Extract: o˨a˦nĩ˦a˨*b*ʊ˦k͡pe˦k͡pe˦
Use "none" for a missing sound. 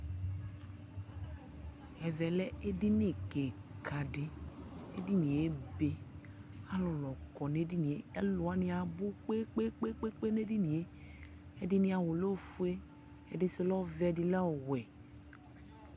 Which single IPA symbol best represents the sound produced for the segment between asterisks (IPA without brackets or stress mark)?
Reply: b